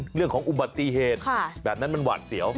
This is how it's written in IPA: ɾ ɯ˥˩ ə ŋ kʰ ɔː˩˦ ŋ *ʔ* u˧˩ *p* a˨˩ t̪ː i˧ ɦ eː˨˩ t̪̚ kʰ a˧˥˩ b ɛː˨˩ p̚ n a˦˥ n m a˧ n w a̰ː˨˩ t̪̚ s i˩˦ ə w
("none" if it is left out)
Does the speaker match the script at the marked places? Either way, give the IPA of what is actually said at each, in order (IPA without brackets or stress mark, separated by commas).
ʔ, b